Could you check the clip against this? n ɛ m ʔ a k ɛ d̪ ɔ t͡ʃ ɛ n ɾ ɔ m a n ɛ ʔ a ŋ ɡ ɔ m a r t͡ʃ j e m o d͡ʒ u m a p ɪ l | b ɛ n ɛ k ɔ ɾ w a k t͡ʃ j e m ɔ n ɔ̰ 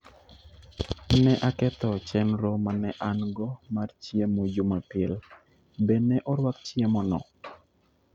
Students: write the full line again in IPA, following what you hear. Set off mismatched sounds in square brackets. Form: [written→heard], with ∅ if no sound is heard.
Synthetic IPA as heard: n ɛ [m→∅] ʔ a k ɛ [d̪→t̪] ɔ t͡ʃ ɛ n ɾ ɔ m a n ɛ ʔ a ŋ ɡ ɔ m a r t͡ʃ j e m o d͡ʒ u m a p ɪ l | b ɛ n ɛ [k→ʔ] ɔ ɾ w a k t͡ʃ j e m ɔ n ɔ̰